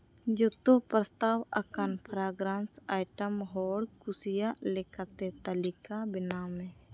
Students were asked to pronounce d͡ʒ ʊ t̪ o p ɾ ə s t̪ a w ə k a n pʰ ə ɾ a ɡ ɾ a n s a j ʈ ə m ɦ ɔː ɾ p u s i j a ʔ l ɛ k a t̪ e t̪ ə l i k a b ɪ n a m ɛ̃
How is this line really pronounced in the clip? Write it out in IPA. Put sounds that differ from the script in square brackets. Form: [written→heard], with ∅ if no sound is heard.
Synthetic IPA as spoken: d͡ʒ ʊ t̪ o p ɾ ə s t̪ a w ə k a n pʰ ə ɾ a ɡ ɾ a n s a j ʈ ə m ɦ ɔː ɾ [p→k] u s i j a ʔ l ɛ k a t̪ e t̪ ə l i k a b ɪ n a m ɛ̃